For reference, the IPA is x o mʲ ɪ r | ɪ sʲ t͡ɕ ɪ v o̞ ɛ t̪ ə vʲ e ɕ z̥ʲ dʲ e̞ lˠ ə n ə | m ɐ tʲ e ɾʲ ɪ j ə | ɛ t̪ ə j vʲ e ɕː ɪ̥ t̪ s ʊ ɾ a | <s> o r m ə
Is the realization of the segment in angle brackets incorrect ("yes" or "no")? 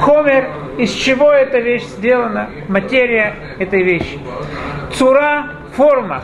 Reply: yes